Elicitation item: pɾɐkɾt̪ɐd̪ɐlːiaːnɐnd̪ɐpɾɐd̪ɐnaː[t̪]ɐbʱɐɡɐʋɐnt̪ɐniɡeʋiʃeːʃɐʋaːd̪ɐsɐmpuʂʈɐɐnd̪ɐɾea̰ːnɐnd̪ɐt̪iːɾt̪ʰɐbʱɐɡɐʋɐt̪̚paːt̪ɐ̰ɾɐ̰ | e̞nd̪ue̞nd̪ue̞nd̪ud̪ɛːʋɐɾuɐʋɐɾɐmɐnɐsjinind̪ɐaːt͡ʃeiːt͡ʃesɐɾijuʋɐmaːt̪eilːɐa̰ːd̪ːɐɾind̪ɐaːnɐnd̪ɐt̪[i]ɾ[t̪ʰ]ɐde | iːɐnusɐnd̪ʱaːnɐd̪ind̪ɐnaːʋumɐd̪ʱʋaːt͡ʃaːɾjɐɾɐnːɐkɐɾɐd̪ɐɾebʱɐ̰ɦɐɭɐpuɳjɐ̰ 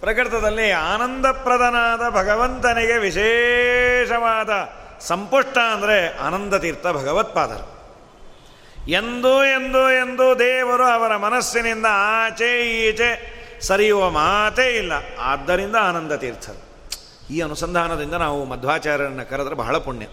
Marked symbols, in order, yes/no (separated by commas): no, no, yes